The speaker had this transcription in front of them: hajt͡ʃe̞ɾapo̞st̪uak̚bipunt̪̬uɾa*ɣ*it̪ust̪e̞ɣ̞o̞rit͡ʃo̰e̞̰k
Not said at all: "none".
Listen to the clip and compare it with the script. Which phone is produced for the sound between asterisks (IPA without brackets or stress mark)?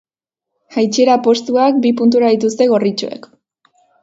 ð